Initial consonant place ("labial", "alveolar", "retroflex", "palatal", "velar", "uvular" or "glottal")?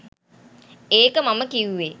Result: velar